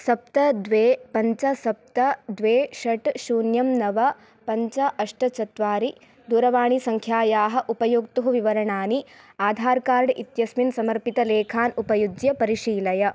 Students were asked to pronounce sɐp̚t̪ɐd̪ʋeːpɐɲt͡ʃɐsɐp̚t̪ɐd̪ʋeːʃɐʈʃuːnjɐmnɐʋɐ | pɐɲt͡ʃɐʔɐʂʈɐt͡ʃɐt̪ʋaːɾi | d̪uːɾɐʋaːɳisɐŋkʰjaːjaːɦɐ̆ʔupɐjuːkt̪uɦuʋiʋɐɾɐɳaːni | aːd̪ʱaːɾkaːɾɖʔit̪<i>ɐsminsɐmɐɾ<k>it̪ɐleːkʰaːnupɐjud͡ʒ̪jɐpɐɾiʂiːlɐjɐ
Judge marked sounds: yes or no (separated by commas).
no, no